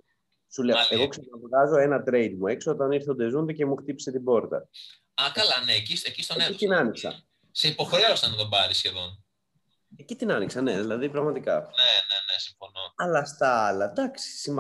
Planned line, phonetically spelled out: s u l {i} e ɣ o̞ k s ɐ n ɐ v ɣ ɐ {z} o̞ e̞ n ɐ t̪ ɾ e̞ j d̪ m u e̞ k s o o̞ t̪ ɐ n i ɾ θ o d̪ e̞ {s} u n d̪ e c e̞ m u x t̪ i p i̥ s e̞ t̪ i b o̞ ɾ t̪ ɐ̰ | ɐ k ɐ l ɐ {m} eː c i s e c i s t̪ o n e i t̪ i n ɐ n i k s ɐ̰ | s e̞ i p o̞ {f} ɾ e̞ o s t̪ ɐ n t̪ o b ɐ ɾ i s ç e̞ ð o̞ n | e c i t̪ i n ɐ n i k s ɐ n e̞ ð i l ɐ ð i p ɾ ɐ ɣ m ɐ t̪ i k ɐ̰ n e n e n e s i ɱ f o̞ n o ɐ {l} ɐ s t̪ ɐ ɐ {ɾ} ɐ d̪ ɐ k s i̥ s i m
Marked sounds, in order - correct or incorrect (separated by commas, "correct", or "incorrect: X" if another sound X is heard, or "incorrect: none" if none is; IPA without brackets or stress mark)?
incorrect: e, correct, incorrect: z, incorrect: n, incorrect: x, correct, incorrect: l